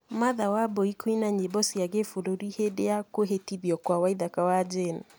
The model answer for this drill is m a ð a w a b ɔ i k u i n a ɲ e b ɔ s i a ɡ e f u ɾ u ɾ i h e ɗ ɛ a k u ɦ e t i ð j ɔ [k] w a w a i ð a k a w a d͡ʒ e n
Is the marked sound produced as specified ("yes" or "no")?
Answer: yes